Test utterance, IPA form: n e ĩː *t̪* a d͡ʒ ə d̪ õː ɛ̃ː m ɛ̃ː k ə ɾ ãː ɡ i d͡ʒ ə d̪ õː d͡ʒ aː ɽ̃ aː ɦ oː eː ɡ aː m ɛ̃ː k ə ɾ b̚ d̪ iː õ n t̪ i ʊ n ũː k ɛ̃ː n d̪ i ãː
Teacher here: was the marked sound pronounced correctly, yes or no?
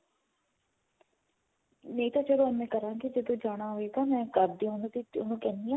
yes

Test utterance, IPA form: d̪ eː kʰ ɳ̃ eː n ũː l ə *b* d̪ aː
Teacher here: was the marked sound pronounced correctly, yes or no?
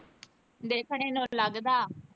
no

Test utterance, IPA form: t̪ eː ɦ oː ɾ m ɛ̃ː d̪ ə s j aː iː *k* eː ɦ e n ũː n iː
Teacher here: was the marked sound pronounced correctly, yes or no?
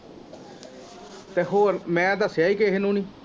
yes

